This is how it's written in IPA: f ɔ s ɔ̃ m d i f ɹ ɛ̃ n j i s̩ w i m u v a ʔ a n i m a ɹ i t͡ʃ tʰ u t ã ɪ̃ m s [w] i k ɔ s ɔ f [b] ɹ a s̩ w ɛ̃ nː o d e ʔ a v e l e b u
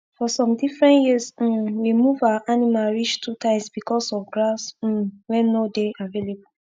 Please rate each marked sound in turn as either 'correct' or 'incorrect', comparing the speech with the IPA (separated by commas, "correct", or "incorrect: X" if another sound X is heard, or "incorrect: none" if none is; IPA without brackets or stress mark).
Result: incorrect: b, incorrect: ɡ